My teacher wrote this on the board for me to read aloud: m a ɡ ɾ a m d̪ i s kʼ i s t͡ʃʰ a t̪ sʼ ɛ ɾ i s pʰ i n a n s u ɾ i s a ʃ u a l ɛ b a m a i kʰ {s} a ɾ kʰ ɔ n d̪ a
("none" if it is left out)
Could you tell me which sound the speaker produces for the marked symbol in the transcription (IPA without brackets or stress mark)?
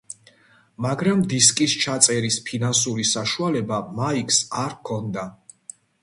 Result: s